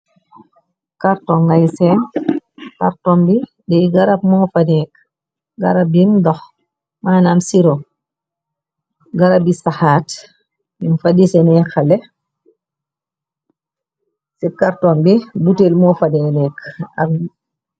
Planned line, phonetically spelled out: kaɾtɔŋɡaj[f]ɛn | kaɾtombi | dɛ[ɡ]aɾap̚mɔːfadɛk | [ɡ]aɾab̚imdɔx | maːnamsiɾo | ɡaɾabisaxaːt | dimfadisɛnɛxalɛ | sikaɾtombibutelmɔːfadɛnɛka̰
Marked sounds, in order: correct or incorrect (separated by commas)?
incorrect, correct, correct